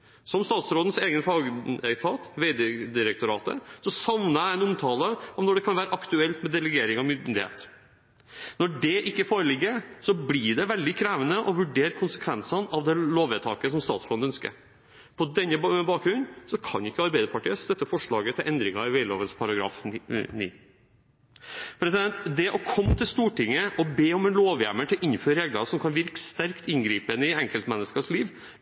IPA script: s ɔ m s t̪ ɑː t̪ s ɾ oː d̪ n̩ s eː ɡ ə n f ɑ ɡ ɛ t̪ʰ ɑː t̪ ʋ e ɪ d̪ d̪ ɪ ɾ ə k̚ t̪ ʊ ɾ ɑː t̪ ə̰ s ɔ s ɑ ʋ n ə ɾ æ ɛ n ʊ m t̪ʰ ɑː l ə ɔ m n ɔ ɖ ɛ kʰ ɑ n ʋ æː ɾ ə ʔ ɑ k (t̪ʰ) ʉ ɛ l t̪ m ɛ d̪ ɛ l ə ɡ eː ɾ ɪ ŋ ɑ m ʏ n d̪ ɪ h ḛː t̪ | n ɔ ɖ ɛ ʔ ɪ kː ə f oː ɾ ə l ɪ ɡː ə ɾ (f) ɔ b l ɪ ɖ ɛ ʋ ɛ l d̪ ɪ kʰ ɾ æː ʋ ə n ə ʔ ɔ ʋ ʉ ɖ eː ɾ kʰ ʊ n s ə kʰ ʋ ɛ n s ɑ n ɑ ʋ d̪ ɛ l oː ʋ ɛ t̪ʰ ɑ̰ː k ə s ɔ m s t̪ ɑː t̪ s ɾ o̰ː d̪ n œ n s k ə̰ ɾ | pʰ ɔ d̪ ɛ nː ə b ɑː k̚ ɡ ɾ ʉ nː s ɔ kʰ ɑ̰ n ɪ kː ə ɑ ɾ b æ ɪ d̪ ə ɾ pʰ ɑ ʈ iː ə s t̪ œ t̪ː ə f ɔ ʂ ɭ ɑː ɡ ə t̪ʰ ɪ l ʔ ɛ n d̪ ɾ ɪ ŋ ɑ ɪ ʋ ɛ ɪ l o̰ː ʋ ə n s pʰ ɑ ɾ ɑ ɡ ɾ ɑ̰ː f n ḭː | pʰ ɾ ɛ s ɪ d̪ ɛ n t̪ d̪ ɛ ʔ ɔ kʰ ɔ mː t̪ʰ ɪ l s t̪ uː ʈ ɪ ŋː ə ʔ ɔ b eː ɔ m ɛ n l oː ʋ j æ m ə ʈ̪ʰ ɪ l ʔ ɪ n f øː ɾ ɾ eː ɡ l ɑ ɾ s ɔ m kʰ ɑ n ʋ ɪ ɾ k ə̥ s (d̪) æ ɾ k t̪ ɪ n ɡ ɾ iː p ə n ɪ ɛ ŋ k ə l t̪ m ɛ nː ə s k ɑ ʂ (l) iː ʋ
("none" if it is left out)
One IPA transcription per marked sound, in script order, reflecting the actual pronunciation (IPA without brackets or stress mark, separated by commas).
t̪, s, t̪, l